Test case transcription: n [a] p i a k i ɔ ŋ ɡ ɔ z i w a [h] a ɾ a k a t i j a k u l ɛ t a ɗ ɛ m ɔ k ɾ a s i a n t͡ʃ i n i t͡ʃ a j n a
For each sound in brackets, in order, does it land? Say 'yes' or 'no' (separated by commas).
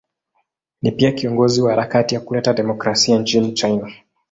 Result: no, yes